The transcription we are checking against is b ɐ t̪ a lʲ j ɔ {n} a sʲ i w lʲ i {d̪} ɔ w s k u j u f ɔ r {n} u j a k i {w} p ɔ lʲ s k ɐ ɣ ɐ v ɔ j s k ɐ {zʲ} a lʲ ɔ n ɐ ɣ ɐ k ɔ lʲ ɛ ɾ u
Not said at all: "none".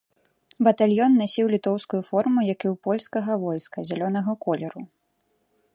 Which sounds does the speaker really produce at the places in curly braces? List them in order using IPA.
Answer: nː, t̪, m, w, zʲ

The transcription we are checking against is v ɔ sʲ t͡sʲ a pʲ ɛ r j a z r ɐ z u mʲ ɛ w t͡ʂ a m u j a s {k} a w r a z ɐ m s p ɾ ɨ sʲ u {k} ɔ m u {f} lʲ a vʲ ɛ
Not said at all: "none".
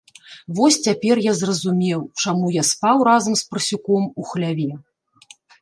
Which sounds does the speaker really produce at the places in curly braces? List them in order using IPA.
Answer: p, k, x

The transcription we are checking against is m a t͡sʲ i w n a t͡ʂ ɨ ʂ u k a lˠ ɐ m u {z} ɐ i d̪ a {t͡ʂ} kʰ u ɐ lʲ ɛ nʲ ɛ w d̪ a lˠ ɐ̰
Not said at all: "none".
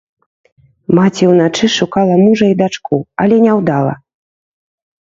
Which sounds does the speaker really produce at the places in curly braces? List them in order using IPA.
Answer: ʐ, t͡ʂ

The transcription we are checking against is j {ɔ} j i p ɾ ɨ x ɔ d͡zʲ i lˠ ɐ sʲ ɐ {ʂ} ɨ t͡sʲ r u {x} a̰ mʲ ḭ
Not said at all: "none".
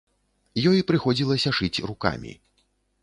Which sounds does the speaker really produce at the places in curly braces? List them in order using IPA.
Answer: ɔ, ʂ, k

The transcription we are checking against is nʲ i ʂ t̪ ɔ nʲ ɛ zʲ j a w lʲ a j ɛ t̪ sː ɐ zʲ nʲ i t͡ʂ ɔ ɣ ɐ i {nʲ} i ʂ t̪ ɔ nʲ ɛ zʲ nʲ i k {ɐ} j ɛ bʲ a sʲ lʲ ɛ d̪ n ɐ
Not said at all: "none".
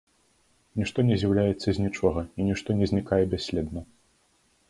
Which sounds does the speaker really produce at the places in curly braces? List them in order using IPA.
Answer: nʲ, a

